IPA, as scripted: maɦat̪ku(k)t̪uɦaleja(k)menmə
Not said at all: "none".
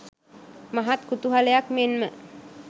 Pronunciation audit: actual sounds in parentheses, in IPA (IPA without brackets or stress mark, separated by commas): none, k